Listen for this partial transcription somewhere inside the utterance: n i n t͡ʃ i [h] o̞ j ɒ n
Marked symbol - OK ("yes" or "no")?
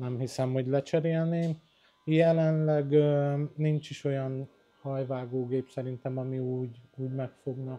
no